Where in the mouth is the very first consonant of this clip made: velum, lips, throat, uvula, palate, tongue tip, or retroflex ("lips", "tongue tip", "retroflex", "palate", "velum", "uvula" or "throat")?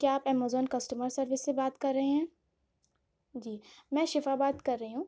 velum